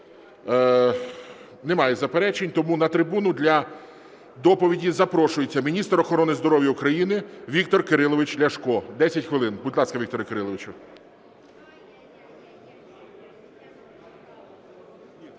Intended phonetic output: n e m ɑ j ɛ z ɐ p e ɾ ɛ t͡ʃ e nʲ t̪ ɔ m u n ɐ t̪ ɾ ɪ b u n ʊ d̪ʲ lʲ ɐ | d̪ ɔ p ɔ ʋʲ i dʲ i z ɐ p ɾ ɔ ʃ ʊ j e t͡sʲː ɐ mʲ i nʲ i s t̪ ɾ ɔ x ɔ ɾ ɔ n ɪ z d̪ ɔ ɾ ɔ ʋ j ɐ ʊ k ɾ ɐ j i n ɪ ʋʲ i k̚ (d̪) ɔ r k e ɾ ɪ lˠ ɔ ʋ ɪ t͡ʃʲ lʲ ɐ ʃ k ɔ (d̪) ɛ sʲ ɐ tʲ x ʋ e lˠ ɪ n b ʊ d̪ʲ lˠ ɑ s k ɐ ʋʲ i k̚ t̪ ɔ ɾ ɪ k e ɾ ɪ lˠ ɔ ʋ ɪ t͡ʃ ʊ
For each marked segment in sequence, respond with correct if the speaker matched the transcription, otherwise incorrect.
incorrect: t̪, correct

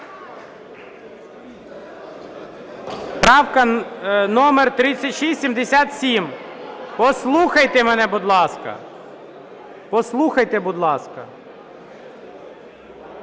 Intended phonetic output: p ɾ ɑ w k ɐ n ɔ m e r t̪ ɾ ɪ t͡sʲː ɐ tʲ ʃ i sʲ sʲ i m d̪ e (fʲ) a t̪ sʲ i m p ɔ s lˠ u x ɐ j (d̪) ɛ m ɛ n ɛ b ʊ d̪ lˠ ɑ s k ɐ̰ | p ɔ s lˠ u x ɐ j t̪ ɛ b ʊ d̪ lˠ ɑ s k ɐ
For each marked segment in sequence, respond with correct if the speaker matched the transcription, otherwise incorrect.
incorrect: sʲ, incorrect: t̪

